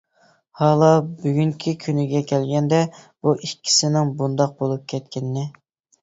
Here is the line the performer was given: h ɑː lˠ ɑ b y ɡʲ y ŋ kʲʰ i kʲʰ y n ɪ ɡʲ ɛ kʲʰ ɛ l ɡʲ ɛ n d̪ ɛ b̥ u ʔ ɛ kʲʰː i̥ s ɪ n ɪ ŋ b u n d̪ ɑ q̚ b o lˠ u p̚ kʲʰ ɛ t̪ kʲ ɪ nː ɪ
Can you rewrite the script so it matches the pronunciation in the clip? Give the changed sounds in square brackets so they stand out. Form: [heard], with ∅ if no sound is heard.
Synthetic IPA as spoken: h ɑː lˠ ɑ b y ɡʲ y ŋ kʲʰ i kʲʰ y n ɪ ɡʲ ɛ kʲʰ ɛ l ɡʲ ɛ n d̪ ɛ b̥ u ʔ [i] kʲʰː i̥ s ɪ n ɪ ŋ b u n d̪ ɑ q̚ b o lˠ u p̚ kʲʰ ɛ t̪ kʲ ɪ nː ɪ

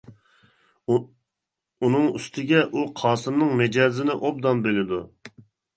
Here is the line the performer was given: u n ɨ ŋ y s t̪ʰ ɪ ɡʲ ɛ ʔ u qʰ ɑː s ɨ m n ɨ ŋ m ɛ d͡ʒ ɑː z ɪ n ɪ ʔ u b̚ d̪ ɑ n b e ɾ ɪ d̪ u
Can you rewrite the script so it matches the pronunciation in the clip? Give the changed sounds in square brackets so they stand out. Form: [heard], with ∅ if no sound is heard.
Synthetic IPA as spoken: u n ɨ ŋ y s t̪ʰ ɪ ɡʲ ɛ ʔ u qʰ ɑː s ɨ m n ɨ ŋ m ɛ d͡ʒ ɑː z ɪ n ɪ ʔ [o] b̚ d̪ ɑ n b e [l] ɪ d̪ u

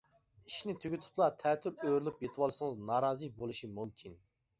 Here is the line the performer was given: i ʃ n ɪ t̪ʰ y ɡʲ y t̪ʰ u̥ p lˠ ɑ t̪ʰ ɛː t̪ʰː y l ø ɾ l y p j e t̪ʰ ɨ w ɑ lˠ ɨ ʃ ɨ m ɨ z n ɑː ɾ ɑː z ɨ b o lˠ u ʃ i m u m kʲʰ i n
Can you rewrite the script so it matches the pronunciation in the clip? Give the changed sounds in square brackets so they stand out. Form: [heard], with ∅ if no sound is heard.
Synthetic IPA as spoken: i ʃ n ɪ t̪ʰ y ɡʲ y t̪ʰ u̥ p lˠ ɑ t̪ʰ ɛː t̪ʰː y [ɾ] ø ɾ l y p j e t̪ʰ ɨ w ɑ lˠ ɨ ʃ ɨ [ŋ] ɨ z n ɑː ɾ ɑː z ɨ b o lˠ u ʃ i m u m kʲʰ i n

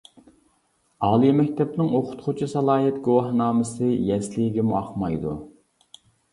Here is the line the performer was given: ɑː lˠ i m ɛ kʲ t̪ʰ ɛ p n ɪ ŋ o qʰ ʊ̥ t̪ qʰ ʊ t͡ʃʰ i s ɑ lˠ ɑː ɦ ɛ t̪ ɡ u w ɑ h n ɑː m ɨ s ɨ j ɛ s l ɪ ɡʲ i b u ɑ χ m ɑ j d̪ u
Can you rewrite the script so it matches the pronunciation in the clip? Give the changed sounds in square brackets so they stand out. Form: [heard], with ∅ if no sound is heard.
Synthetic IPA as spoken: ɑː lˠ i m ɛ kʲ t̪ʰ ɛ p n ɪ ŋ o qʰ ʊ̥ t̪ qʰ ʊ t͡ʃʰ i s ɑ lˠ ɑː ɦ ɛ t̪ ɡ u w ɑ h n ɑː m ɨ s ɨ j ɛ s l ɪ ɡʲ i [m] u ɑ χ m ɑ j d̪ u

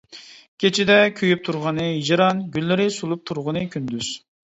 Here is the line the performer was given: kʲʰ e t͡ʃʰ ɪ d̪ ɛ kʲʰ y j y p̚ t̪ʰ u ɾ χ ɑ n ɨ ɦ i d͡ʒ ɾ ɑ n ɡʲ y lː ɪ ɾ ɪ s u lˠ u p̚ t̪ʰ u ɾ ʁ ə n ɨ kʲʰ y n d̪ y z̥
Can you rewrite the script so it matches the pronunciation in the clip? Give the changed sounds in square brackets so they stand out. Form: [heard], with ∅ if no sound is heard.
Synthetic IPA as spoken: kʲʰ e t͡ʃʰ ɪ d̪ ɛ kʲʰ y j y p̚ t̪ʰ u ɾ [ʁ] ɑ n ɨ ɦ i d͡ʒ ɾ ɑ n ɡʲ y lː ɪ ɾ ɪ s u lˠ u p̚ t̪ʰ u ɾ ʁ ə n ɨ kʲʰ y n d̪ y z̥

